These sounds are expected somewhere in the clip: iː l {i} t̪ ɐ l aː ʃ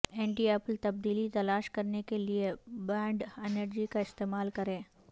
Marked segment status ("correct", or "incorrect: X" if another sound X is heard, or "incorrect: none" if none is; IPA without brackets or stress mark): correct